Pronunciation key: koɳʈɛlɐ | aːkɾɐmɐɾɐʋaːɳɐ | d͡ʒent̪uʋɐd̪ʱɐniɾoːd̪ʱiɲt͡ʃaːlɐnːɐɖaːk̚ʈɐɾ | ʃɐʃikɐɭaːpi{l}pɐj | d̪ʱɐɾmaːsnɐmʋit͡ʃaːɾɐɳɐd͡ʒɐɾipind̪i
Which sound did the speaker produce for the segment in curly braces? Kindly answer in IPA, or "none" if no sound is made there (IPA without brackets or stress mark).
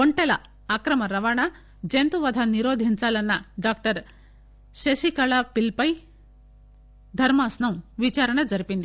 l